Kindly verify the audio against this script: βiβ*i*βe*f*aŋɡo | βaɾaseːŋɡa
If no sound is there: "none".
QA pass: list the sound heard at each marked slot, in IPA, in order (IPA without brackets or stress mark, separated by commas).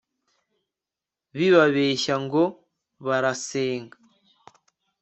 a, ʃ